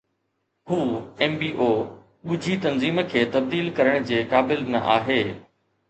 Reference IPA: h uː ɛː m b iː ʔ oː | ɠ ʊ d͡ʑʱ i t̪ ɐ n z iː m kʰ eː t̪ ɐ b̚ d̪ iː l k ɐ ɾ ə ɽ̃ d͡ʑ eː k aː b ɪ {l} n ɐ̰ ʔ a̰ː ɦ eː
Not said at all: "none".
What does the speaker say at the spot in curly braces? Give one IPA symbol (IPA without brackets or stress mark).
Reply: l